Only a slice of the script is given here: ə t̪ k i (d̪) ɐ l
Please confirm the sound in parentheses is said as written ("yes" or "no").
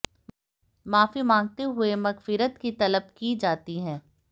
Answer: no